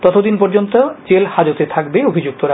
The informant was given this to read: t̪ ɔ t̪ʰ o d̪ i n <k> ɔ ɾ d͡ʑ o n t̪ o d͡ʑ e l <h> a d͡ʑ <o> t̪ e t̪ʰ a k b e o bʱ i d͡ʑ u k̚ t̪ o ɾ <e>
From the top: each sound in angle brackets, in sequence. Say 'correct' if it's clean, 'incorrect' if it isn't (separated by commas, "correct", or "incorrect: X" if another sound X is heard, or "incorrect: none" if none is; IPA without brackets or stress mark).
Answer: incorrect: p, correct, correct, incorrect: a